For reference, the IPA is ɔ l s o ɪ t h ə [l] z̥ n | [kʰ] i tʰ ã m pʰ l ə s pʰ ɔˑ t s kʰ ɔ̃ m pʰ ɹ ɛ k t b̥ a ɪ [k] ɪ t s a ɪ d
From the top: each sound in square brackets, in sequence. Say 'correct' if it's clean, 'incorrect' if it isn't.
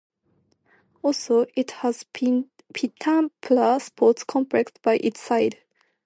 incorrect: none, incorrect: pʰ, incorrect: ʔ

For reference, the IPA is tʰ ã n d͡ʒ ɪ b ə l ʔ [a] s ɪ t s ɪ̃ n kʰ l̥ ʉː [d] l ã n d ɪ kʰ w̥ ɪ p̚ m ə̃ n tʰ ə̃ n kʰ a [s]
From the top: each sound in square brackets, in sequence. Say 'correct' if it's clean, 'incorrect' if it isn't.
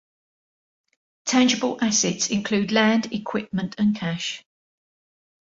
correct, correct, incorrect: ʃ

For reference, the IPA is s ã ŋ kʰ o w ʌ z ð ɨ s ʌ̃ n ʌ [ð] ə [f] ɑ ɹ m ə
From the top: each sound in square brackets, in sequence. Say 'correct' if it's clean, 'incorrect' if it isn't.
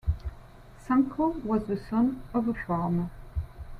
incorrect: v, correct

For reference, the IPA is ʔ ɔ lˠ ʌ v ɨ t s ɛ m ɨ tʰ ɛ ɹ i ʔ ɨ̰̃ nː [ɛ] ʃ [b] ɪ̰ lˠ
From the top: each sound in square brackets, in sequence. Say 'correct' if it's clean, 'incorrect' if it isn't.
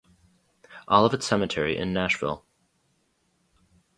incorrect: æ, incorrect: v

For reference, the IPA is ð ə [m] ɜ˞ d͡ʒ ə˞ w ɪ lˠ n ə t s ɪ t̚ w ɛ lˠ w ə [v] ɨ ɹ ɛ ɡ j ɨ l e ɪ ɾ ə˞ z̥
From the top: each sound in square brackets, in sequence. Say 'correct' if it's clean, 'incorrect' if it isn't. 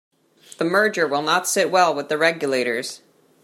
correct, incorrect: ð

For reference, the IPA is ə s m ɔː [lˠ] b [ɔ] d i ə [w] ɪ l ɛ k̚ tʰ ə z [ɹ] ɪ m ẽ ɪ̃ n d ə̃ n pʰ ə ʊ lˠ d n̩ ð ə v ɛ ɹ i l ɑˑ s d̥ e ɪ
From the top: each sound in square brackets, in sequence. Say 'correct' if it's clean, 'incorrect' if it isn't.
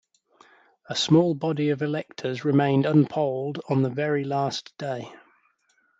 correct, incorrect: ɒ, incorrect: v, correct

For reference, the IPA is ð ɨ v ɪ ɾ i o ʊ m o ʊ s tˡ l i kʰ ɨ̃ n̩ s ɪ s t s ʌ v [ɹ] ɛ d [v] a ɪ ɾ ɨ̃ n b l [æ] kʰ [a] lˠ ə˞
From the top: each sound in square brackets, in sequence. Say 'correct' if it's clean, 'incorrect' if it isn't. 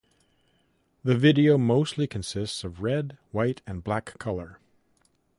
correct, incorrect: w, correct, incorrect: ʌ

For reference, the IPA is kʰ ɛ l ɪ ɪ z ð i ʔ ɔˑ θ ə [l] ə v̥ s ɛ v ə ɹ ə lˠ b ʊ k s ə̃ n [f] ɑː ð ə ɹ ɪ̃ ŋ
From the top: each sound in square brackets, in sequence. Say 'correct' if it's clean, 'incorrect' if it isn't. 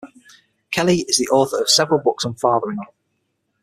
incorrect: ɹ, correct

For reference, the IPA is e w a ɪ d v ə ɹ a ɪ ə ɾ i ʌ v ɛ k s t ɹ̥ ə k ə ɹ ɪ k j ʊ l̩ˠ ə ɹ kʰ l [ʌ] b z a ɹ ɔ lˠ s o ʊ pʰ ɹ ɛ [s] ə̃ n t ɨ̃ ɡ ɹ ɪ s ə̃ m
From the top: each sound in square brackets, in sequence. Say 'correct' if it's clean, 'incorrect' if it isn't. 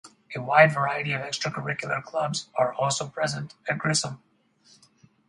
correct, incorrect: z

